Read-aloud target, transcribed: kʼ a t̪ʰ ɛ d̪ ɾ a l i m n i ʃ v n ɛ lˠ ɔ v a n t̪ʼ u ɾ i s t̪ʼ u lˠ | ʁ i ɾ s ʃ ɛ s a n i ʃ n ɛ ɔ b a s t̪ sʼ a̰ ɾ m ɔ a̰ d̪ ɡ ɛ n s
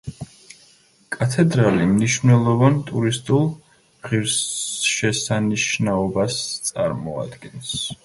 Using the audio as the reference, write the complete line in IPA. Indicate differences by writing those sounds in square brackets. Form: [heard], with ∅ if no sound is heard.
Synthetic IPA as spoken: kʼ a t̪ʰ ɛ d̪ ɾ a l i m n i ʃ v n ɛ lˠ ɔ v a n t̪ʼ u ɾ i s t̪ʼ u lˠ | ʁ i ɾ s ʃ ɛ s a n i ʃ n [a] ɔ b a s t̪ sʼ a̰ ɾ m ɔ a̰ d̪ ɡ ɛ n s